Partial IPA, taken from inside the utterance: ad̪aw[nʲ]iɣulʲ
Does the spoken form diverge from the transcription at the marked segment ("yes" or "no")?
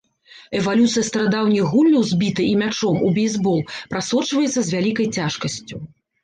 no